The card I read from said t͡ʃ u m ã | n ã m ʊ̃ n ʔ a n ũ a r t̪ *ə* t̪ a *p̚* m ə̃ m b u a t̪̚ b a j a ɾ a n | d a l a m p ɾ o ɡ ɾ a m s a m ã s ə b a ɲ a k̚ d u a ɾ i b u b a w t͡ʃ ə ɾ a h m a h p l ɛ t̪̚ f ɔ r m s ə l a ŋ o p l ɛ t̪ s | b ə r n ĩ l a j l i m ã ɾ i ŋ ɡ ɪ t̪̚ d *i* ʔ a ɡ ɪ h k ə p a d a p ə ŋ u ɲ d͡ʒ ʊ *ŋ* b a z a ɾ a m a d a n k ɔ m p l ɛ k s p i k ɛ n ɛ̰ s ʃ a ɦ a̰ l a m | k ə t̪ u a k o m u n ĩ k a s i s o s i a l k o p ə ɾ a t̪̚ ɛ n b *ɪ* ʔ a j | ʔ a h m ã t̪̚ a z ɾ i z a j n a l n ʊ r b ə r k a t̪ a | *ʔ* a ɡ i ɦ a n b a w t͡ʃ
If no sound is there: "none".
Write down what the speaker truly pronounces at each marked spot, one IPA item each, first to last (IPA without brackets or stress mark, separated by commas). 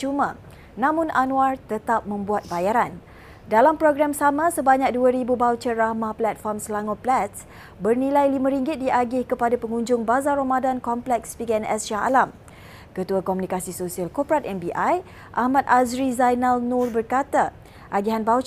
ə, p̚, i, ŋ, i, ʔ